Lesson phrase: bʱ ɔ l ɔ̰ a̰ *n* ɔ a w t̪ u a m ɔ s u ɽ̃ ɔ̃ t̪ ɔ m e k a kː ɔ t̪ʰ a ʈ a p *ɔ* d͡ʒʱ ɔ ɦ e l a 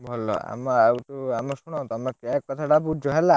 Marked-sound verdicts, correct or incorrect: incorrect: m, incorrect: u

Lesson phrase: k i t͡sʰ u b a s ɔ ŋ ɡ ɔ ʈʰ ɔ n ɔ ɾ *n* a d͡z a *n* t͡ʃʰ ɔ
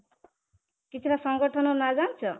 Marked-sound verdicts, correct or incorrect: correct, correct

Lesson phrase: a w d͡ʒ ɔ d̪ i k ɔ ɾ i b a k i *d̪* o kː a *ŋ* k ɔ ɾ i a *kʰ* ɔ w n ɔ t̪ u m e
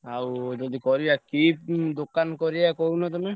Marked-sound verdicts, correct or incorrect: correct, incorrect: n, incorrect: k

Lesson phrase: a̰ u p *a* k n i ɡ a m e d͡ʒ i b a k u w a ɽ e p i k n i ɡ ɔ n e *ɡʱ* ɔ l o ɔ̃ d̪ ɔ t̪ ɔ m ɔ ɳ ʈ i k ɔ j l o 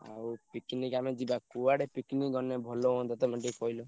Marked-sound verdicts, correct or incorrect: incorrect: i, incorrect: bʱ

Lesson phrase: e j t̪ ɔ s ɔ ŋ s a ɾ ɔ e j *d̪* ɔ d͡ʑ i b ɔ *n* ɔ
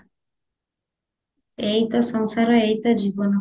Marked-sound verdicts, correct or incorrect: incorrect: t̪, correct

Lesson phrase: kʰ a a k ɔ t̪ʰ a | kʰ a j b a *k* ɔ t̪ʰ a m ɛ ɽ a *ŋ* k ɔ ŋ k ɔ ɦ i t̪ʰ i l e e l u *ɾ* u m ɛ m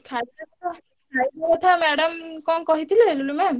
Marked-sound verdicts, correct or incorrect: correct, incorrect: m, incorrect: l

